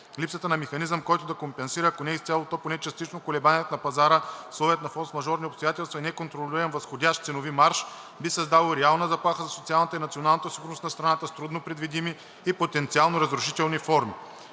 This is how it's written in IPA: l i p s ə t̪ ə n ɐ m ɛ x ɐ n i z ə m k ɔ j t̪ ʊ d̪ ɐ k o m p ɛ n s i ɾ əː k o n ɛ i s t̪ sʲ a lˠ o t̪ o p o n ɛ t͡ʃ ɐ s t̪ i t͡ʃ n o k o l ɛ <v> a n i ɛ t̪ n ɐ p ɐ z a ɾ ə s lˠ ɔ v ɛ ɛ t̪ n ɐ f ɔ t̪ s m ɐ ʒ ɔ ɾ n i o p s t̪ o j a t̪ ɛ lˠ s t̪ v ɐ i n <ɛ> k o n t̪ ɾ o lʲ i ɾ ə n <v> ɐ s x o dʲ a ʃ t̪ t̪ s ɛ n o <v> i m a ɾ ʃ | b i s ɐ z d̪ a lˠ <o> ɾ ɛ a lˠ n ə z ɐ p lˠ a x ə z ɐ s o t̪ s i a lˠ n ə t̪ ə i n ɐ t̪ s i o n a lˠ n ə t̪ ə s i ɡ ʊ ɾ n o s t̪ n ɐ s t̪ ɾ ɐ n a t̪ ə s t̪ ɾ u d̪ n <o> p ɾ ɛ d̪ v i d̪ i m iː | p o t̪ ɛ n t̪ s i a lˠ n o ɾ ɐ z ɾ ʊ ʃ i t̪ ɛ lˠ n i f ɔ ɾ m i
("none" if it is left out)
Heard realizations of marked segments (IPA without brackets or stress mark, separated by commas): b, ɛ, v, v, o, o